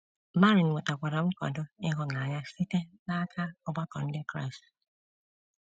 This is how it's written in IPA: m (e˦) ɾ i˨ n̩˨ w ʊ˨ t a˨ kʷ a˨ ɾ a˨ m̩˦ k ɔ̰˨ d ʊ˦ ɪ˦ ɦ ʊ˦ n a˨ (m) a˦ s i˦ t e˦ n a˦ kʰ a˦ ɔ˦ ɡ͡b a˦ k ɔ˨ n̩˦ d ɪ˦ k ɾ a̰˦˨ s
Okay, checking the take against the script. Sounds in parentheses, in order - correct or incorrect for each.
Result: incorrect: a˦, incorrect: ɲ

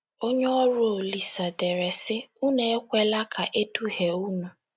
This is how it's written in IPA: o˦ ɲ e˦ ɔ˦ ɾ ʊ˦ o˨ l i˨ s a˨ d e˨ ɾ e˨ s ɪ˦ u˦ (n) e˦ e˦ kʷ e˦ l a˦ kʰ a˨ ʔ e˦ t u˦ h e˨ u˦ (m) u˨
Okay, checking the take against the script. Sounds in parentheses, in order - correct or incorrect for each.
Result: correct, incorrect: n

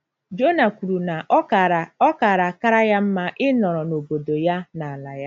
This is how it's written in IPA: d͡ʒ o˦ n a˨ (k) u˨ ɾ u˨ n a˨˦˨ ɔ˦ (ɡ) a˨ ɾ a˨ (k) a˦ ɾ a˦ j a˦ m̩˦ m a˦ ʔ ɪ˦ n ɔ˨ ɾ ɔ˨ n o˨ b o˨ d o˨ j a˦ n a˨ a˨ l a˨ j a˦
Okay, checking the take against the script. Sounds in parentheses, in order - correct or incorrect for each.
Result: correct, incorrect: k, correct

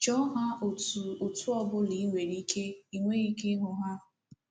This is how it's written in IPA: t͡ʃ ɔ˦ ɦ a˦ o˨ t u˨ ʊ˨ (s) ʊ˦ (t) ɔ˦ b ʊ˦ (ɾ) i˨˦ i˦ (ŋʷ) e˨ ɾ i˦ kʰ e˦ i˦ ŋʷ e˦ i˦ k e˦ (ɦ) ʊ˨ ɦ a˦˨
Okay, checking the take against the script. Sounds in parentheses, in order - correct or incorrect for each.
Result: incorrect: t, incorrect: none, incorrect: l, correct, correct

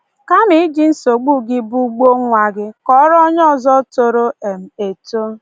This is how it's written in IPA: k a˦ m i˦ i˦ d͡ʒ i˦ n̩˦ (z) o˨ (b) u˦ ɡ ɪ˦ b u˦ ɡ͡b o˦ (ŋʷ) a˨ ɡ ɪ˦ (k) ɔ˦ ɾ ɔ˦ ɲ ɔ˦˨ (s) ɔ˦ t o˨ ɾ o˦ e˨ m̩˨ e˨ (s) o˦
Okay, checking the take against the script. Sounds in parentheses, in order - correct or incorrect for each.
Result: incorrect: s, incorrect: ɡ͡b, correct, correct, incorrect: z, incorrect: t

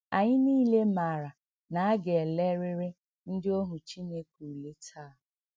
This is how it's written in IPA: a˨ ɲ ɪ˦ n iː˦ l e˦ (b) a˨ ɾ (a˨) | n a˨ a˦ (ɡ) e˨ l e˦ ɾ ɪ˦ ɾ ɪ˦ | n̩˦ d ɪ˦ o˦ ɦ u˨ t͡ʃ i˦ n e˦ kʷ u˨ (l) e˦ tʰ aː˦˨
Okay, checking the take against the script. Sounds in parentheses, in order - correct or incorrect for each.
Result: incorrect: m, correct, correct, correct

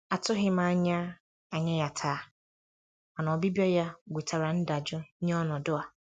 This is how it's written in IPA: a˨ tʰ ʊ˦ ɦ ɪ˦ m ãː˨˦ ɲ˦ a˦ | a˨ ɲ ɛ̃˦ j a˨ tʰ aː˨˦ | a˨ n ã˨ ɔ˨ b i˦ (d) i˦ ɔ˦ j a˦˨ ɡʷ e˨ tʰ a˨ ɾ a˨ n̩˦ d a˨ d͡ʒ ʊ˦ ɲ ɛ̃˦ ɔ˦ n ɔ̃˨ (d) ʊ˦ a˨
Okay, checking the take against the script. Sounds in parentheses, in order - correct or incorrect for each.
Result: incorrect: b, correct

